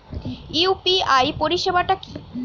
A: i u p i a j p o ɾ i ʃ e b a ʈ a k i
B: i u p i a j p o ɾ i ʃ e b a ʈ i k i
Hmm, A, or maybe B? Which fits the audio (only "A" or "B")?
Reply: A